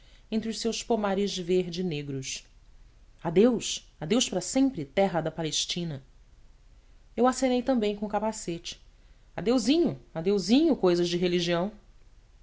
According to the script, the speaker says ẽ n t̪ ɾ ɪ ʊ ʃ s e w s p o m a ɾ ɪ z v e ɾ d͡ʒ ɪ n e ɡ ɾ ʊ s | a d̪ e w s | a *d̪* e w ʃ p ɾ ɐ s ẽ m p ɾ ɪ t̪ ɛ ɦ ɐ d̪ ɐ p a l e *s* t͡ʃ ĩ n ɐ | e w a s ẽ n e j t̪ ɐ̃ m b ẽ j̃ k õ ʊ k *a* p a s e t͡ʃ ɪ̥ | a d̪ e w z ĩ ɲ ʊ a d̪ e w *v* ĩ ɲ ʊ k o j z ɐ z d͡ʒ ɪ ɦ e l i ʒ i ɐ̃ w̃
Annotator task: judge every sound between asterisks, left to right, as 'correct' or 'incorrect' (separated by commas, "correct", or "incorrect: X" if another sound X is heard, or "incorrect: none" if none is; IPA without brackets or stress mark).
correct, incorrect: ʃ, correct, incorrect: z